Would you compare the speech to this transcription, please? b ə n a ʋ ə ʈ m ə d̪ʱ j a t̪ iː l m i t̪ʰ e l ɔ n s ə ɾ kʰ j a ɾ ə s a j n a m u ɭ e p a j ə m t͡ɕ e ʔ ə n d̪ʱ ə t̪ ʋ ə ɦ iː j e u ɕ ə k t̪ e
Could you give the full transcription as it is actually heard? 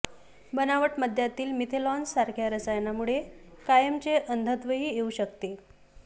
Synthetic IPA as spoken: b ə n a ʋ ə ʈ m ə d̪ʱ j a t̪ iː l m i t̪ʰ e l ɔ n s a ɾ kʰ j a ɾ ə s a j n a m u ɭ e k a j ə m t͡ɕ e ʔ ə n d̪ʱ ə t̪ ʋ ə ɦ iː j e u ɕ ə k t̪ e